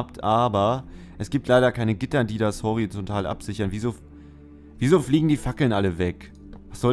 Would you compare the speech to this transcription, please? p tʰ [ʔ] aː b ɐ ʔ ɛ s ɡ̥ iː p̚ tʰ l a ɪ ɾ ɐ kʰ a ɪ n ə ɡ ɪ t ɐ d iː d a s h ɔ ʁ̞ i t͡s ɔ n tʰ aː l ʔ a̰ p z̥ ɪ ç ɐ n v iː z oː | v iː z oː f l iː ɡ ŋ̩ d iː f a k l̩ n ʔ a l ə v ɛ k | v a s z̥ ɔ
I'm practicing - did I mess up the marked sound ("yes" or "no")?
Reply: no